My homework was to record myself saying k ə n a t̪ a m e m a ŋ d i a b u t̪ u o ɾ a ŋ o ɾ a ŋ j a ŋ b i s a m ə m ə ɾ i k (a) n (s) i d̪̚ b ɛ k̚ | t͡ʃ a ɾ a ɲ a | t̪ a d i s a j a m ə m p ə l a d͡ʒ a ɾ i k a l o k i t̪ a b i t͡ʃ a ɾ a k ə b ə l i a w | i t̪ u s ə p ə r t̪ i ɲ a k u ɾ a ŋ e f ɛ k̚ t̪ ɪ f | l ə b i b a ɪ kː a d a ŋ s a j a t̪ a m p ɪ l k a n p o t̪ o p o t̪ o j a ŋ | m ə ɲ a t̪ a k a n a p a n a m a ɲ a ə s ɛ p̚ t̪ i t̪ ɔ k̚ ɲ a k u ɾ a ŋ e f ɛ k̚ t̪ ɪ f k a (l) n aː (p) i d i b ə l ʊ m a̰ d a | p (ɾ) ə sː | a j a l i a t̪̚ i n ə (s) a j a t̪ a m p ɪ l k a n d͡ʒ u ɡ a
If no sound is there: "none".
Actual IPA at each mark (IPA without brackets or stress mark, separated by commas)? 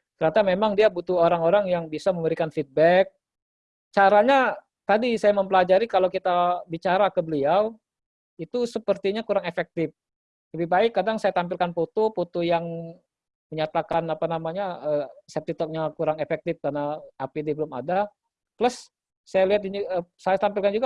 a, f, r, p, l, s